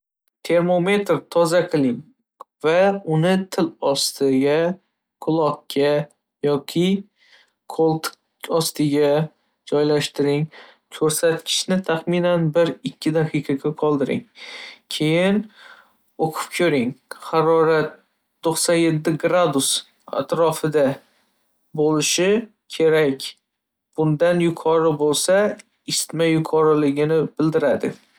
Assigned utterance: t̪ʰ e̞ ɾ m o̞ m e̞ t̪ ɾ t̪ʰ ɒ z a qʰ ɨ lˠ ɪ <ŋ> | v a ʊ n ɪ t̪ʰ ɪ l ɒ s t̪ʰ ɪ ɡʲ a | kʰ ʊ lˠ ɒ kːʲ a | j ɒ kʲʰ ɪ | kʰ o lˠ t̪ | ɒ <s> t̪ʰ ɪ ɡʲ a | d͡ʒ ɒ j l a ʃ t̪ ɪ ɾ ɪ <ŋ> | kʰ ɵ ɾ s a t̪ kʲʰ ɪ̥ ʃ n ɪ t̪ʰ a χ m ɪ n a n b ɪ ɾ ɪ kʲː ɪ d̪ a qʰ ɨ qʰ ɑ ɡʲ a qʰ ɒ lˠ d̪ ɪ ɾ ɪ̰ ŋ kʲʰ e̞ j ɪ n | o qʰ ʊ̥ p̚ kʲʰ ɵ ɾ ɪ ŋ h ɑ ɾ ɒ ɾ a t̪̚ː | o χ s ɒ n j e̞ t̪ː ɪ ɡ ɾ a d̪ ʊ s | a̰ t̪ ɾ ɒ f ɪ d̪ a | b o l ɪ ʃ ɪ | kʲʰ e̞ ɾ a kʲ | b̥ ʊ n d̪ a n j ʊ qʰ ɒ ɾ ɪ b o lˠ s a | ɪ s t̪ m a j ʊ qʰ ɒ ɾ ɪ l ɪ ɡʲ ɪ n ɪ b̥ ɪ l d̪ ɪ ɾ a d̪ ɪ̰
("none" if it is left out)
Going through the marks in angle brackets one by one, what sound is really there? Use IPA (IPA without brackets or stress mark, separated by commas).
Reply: ŋ, s, ŋ